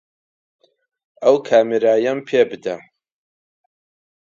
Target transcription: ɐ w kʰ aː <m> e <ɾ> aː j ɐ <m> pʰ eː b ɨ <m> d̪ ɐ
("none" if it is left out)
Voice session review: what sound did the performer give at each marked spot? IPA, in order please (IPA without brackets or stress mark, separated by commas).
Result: m, ɾ, m, none